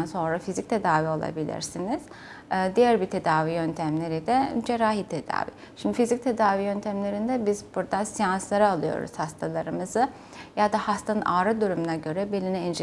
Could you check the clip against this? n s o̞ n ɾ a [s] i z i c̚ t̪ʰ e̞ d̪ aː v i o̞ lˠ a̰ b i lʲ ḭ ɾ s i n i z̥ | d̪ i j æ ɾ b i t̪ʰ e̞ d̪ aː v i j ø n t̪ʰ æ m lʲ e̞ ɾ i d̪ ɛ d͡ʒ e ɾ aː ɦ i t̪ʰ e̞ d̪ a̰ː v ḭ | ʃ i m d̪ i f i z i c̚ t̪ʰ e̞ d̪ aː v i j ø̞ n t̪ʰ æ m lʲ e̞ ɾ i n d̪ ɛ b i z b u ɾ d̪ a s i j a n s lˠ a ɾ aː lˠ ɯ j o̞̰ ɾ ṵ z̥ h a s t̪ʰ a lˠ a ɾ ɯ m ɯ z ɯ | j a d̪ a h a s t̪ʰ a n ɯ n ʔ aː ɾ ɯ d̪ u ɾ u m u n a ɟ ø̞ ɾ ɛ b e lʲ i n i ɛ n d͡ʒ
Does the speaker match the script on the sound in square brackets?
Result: no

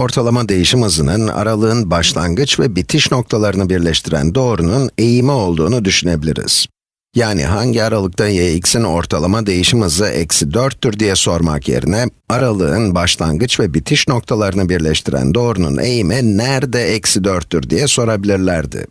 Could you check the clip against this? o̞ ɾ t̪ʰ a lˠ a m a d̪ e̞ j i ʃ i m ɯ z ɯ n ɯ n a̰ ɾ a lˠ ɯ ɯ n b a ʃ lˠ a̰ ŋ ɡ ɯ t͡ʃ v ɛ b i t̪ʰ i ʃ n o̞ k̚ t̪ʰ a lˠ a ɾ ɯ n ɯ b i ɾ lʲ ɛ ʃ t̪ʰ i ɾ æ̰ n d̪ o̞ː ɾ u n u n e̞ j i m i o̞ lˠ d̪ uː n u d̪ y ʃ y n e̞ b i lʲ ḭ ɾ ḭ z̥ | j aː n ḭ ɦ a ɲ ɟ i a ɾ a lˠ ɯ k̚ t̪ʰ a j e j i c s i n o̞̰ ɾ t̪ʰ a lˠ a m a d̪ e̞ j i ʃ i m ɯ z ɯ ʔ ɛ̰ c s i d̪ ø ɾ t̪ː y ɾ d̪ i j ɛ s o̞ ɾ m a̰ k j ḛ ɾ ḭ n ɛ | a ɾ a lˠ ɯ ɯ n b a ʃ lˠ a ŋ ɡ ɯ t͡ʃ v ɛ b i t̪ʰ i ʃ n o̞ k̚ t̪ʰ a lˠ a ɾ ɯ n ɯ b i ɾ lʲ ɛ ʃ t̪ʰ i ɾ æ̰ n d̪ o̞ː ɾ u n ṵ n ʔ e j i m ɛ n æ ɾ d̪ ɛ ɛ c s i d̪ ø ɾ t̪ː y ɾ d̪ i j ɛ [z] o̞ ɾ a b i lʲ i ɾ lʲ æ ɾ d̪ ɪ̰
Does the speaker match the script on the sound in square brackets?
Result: no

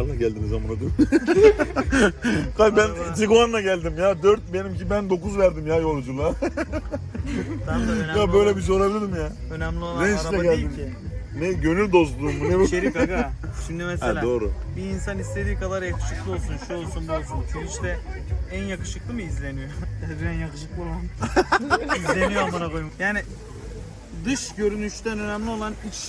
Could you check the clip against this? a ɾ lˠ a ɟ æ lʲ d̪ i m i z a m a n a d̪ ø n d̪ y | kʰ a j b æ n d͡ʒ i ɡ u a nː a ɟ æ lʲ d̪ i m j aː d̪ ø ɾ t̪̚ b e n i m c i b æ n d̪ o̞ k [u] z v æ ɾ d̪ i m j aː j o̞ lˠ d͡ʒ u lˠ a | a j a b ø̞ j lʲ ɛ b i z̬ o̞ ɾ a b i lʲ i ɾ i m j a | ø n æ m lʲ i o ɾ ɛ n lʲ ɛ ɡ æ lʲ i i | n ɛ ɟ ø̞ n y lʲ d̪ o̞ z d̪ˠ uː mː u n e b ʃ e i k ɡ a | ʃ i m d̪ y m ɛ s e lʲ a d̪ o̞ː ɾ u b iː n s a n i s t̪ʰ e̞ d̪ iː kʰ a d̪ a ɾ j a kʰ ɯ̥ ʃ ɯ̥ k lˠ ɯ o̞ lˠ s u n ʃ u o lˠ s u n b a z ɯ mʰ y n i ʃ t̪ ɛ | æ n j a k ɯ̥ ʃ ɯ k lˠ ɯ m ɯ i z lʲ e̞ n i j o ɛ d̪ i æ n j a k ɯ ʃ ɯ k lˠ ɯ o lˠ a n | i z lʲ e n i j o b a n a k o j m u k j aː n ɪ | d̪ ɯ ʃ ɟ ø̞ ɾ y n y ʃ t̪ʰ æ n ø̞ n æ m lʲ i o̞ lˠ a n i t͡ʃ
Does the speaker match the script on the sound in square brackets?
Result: yes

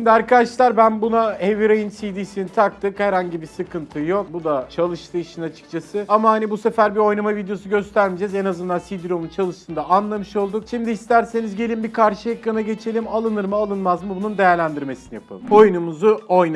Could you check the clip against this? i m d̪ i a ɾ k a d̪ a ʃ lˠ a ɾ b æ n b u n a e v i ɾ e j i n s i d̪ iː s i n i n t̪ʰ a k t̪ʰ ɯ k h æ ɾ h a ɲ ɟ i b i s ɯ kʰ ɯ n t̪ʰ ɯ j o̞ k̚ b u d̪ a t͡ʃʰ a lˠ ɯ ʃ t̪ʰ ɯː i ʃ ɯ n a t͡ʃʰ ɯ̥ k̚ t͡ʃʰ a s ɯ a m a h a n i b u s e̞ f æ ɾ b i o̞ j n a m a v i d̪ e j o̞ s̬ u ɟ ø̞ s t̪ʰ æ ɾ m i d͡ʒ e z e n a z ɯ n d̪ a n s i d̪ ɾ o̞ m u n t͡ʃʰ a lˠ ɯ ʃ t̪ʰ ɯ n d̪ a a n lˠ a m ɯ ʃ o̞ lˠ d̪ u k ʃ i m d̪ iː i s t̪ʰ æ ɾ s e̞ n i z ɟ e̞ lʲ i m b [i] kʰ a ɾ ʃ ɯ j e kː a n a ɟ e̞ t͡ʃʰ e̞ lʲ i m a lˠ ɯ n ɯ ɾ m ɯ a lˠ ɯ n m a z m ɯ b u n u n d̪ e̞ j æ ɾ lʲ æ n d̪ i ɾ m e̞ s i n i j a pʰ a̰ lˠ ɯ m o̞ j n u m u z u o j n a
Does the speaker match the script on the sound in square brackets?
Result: yes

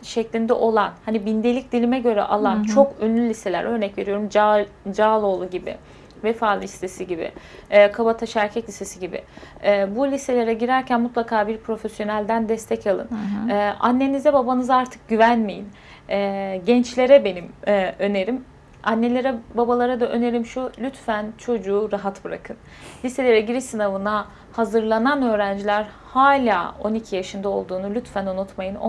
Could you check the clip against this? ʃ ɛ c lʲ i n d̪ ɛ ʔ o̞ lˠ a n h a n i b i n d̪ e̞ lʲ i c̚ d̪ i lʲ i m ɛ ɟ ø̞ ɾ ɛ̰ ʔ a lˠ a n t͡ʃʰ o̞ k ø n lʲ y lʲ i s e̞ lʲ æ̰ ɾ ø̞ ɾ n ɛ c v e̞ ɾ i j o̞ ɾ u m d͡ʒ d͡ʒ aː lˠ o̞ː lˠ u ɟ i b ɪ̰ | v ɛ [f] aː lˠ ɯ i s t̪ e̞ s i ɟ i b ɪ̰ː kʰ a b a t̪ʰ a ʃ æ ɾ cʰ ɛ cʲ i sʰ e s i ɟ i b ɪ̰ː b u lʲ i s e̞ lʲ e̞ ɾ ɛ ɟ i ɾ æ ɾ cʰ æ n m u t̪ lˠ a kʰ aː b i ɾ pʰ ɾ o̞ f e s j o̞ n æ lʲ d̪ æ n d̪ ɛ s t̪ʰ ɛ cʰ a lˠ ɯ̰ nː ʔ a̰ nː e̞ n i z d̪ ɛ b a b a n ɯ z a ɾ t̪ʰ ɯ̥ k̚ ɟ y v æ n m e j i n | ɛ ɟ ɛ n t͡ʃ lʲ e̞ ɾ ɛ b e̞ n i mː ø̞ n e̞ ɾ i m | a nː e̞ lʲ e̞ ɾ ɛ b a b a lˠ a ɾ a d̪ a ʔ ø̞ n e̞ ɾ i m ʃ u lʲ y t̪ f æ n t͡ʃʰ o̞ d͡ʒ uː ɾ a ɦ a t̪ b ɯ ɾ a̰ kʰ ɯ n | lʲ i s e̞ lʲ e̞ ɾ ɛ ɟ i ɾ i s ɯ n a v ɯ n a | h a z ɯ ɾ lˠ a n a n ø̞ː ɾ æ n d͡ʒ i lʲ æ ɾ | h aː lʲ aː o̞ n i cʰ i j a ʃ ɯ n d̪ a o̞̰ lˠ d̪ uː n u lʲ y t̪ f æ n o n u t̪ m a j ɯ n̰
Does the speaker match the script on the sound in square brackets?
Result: yes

